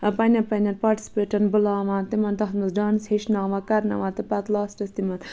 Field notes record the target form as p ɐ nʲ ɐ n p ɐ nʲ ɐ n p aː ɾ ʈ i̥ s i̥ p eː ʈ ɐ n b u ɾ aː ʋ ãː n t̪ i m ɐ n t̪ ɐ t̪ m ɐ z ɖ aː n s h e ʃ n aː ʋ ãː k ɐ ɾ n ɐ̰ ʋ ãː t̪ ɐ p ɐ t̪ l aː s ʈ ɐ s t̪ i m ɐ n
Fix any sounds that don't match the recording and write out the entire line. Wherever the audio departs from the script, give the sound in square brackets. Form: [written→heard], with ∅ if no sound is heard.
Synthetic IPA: p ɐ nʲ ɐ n p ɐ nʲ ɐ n p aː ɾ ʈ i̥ s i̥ p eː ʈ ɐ n b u [ɾ→l] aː ʋ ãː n t̪ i m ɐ n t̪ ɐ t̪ m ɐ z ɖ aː n s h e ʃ n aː ʋ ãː k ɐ ɾ n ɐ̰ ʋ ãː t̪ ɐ p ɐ t̪ l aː s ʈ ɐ s t̪ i m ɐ n